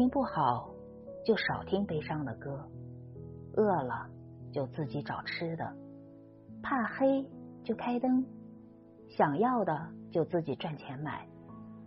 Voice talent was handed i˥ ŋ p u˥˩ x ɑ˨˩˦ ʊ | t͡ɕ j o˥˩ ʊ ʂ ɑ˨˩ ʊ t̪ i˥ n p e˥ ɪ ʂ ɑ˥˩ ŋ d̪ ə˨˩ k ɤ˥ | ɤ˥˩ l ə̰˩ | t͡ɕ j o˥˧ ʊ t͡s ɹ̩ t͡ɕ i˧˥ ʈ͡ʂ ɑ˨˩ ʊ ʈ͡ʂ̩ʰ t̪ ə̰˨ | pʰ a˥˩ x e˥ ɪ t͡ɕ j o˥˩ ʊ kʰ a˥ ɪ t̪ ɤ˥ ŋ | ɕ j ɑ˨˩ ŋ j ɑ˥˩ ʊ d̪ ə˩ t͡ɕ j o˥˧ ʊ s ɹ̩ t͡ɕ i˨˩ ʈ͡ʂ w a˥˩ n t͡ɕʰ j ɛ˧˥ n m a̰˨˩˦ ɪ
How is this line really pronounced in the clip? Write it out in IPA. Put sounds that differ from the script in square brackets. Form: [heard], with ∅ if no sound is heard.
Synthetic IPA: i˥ ŋ p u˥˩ x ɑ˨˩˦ ʊ | t͡ɕ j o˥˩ ʊ ʂ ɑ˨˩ ʊ [t̪ʰ] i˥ [ŋ] p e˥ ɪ ʂ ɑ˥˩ ŋ d̪ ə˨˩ k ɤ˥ | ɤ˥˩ l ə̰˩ | t͡ɕ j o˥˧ ʊ t͡s ɹ̩ t͡ɕ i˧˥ ʈ͡ʂ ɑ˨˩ ʊ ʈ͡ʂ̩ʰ [d̪] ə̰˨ | pʰ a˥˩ x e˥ ɪ t͡ɕ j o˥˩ ʊ kʰ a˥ ɪ t̪ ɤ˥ ŋ | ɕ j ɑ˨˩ ŋ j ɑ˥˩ ʊ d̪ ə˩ t͡ɕ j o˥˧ ʊ [t͡s] ɹ̩ t͡ɕ i˨˩ ʈ͡ʂ w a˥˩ n t͡ɕʰ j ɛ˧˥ n m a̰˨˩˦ ɪ